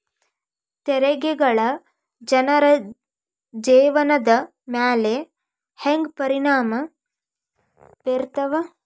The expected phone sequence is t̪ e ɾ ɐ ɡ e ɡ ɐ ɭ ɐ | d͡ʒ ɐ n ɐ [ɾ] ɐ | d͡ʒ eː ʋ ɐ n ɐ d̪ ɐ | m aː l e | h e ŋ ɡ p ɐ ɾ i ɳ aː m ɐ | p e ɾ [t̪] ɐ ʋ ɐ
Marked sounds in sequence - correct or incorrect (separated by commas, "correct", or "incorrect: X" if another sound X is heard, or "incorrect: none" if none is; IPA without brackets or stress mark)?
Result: correct, correct